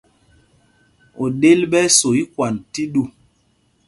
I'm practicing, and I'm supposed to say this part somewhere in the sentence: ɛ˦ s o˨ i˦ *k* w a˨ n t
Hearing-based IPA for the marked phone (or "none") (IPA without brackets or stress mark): k